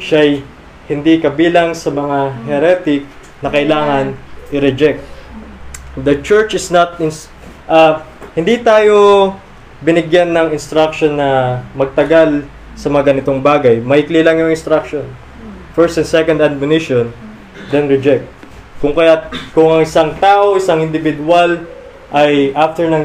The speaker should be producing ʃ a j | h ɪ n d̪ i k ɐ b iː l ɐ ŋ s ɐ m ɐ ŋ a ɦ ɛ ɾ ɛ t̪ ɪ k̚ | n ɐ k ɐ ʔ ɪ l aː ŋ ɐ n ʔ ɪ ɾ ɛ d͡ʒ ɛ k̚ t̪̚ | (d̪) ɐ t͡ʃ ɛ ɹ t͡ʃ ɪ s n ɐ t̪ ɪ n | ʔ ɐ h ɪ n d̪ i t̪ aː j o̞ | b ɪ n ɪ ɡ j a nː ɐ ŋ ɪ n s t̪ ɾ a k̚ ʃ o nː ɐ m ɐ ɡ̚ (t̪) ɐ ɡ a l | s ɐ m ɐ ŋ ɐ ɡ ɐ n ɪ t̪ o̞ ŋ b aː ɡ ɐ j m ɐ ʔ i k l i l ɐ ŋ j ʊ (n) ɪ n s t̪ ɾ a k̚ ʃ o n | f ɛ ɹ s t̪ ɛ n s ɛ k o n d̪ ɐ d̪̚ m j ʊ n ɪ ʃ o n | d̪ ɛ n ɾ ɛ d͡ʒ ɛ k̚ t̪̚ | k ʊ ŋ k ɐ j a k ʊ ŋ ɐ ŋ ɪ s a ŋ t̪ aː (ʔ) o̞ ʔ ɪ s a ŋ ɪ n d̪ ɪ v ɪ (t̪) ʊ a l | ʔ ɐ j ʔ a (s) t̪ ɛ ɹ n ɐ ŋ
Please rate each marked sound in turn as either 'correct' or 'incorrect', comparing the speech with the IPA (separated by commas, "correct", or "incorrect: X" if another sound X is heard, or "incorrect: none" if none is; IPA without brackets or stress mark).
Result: correct, correct, incorrect: ŋ, correct, incorrect: d̪, incorrect: f